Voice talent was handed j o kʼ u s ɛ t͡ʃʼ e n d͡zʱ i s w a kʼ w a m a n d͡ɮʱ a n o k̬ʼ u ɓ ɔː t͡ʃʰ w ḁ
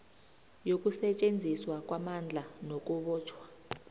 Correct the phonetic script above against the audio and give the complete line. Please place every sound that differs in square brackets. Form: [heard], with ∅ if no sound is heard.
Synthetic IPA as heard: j o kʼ u s ɛ t͡ʃʼ e n d͡zʱ i s w a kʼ w a m a n d͡ɮʱ a n o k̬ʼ u ɓ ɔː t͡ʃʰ w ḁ